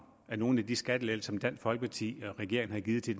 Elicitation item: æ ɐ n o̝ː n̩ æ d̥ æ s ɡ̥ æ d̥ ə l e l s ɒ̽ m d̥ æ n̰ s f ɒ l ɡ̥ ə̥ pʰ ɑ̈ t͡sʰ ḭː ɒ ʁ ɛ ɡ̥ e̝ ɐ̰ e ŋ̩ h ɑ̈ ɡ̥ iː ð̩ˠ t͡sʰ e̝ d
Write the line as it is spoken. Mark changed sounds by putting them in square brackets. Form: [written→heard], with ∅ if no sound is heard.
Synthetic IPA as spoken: æ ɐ n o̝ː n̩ æ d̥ [æ→i] s ɡ̥ æ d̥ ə l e l s ɒ̽ m d̥ æ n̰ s f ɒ l ɡ̥ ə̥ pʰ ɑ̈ t͡sʰ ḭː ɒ ʁ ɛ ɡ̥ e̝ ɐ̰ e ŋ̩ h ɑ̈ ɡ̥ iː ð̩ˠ t͡sʰ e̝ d